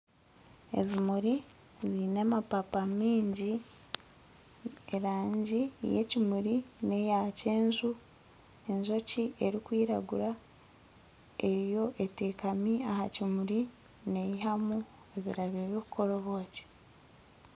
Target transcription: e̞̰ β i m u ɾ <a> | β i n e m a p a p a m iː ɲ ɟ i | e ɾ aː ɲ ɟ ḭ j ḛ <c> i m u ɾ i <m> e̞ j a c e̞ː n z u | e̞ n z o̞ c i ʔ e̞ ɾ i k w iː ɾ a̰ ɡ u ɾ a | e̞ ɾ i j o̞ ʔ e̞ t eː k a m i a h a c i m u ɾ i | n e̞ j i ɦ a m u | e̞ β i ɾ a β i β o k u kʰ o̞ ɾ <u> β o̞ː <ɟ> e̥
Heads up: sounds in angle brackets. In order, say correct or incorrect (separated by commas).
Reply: incorrect, correct, incorrect, incorrect, incorrect